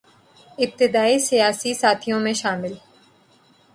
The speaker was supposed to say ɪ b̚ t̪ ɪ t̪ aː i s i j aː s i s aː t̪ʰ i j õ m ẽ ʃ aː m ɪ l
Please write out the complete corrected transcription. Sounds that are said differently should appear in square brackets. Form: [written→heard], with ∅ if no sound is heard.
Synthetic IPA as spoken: ɪ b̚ t̪ ɪ [t̪→d̪] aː i s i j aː s i s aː t̪ʰ i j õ m ẽ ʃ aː m ɪ l